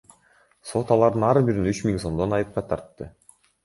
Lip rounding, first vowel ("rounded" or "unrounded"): rounded